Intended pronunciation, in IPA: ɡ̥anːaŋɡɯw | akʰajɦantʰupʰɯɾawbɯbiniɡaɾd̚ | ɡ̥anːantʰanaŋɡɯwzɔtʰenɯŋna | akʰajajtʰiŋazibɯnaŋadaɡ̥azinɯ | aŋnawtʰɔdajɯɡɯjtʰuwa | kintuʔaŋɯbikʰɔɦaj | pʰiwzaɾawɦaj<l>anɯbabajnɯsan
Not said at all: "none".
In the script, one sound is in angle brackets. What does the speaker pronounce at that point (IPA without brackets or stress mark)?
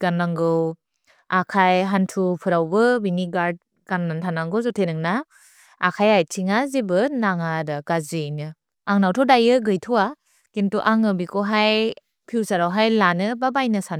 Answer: l